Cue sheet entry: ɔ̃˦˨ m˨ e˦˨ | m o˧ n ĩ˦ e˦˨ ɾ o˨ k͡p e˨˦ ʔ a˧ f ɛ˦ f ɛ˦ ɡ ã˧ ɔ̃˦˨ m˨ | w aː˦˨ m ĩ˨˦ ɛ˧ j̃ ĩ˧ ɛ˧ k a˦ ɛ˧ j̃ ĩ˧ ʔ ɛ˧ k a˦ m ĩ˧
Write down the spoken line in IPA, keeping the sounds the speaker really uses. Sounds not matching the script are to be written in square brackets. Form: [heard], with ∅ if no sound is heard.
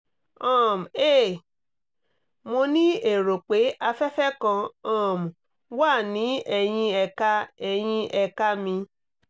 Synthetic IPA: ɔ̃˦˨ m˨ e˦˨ | m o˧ n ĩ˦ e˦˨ ɾ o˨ k͡p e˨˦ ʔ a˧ f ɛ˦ f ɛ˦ [k] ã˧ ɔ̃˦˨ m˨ | w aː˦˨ [n] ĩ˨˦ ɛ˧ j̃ ĩ˧ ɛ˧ k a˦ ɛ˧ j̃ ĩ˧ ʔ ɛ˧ k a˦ m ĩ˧